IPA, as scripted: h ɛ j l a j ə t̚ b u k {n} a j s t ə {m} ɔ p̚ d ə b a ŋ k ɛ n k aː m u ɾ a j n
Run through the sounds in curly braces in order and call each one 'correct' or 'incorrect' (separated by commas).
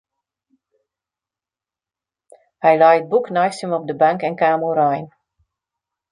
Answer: correct, correct